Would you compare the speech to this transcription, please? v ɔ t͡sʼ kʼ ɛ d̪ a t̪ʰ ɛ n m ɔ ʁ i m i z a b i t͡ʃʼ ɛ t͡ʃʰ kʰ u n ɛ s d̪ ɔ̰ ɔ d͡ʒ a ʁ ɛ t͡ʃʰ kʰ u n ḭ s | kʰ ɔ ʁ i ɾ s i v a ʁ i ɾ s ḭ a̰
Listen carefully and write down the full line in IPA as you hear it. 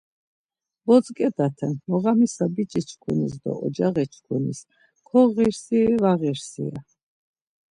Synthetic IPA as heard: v ɔ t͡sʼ kʼ ɛ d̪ a t̪ʰ ɛ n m ɔ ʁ a m i s a b i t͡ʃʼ i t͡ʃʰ kʰ u n i s d̪ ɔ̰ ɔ d͡ʒ a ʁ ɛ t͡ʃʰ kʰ u n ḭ s | kʰ ɔ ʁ i ɾ s i v a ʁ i ɾ s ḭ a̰

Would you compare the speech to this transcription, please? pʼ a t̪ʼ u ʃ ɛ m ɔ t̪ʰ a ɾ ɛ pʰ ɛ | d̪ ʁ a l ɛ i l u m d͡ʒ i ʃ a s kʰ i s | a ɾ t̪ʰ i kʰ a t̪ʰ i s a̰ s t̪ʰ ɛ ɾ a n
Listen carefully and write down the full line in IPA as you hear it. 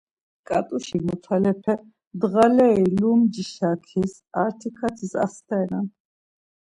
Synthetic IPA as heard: kʼ a t̪ʼ u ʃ i m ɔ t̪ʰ a l ɛ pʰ ɛ | d̪ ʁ a l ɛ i l u m d͡ʒ i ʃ a kʰ i s | a ɾ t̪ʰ i kʰ a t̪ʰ i s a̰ s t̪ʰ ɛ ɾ a n

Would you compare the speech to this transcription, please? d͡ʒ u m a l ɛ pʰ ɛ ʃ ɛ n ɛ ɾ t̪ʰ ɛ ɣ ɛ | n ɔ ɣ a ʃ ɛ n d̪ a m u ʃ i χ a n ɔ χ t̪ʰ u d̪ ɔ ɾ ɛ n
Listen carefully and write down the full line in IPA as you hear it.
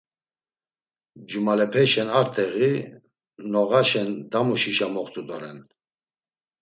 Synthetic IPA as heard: d͡ʒ u m a l ɛ pʰ ɛ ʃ ɛ n a ɾ t̪ʰ ɛ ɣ i | n ɔ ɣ a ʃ ɛ n d̪ a m u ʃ i ʃ a m ɔ χ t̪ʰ u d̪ ɔ ɾ ɛ n

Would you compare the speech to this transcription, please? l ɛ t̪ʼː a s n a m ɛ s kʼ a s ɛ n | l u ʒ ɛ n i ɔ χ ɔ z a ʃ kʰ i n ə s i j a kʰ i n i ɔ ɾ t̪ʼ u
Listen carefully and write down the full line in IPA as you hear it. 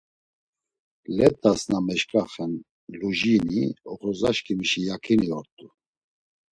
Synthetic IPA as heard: l ɛ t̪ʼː a s n a m ɛ ʃ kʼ a χ ɛ n | l u ʒ i n i ɔ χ ɔ z a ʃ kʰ i m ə ʃ i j a kʰ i n i ɔ ɾ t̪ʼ u

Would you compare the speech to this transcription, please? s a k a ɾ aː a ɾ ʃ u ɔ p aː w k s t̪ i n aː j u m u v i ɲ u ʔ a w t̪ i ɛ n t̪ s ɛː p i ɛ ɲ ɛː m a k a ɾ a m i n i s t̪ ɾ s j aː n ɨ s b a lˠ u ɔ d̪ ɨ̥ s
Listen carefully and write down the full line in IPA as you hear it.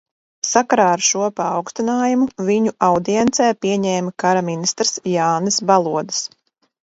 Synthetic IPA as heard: s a k a ɾ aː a ɾ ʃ u ɔ p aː w k s t̪ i n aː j u m u v i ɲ u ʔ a w d̪ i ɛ n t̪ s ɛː p i ɛ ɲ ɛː m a k a ɾ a m i n i s t̪ ɾ s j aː n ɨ s b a lˠ u ɔ d̪ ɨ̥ s

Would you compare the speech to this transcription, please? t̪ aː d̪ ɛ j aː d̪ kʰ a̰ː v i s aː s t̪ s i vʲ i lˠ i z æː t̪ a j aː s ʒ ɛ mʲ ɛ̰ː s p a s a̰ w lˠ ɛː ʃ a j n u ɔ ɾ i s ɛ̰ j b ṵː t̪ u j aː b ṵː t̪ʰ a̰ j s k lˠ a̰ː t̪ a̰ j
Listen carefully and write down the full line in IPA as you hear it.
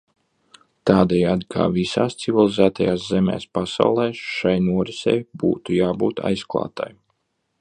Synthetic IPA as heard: t̪ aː d̪ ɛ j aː d̪ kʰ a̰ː v i s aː s t̪ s i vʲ i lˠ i z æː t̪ a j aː s z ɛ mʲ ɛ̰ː s p a s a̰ w lˠ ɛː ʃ a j n u ɔ ɾ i s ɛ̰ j b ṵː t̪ u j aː b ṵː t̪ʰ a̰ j s k lˠ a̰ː t̪ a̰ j

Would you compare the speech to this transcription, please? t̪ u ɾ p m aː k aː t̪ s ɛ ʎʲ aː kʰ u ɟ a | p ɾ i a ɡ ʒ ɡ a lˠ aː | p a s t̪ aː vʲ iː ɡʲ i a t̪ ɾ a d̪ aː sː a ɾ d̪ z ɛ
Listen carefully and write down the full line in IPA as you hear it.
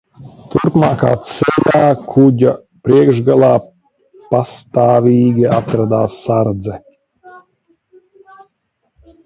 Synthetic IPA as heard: t̪ u ɾ p m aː k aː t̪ s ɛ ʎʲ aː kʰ u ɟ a | p ɾ i ɛ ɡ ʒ ɡ a lˠ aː | p a s t̪ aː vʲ iː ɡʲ i a t̪ ɾ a d̪ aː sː a ɾ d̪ z ɛ

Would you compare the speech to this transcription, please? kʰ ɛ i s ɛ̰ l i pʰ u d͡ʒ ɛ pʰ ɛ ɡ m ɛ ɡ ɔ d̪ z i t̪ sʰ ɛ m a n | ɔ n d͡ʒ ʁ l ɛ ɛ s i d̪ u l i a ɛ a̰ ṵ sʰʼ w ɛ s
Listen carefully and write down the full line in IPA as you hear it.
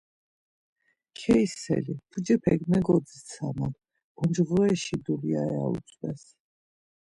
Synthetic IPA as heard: kʰ ɛ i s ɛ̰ l i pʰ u d͡ʒ ɛ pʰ ɛ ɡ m ɛ ɡ ɔ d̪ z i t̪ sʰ a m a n | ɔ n d͡ʒ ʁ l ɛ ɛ ʃ i d̪ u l i a ɛ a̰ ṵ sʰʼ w ɛ s

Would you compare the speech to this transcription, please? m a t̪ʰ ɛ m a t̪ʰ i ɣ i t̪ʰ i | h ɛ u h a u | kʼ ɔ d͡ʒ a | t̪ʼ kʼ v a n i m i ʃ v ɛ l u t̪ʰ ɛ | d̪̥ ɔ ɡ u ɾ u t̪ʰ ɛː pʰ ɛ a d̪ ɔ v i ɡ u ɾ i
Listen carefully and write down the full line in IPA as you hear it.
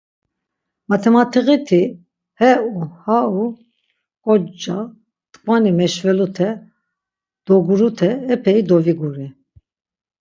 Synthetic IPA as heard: m a t̪ʰ ɛ m a t̪ʰ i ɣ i t̪ʰ i | h ɛ u h a u | kʼ ɔ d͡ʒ a | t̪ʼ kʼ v a n i m ɛ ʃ v ɛ l u t̪ʰ ɛ | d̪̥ ɔ ɡ u ɾ u t̪ʰ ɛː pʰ ɛ i d̪ ɔ v i ɡ u ɾ i

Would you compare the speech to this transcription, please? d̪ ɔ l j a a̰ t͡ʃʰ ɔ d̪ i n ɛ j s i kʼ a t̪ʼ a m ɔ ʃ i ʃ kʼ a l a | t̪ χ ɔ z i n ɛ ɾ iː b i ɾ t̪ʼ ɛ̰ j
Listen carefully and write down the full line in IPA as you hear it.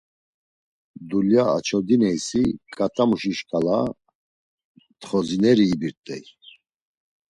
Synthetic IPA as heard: d̪ u l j a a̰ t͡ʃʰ ɔ d̪ i n ɛ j s i kʼ a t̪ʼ a m u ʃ i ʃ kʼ a l a | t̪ χ ɔ z i n ɛ ɾ iː b i ɾ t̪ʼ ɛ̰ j

